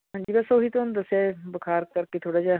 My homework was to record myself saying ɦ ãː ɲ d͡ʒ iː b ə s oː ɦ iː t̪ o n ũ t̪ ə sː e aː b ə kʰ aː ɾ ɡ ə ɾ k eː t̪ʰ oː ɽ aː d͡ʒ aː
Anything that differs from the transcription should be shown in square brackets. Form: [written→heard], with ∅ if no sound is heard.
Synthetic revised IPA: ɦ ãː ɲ d͡ʒ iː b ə s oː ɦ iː t̪ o n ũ [t̪→d̪] ə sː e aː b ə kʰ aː ɾ [ɡ→k] ə ɾ k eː t̪ʰ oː ɽ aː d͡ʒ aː